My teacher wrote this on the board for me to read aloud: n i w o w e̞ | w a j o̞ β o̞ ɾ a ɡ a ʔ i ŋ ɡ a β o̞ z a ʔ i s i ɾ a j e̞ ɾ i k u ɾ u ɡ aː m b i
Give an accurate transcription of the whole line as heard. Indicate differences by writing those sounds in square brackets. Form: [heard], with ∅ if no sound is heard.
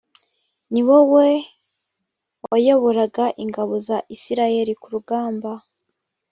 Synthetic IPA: n i w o w e̞ | w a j o̞ β o̞ ɾ a ɡ a ʔ i ŋ ɡ a β o̞ z a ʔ i s i ɾ a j e̞ ɾ i k u ɾ u ɡ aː m b [a]